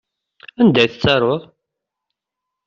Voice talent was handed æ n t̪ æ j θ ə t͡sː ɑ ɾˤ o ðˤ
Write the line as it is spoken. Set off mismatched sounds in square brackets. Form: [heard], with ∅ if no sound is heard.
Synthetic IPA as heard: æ n [d̪] æ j θ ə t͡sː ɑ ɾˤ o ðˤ